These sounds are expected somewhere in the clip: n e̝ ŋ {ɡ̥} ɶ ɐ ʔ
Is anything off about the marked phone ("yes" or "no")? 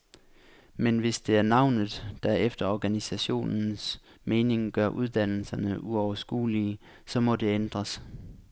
no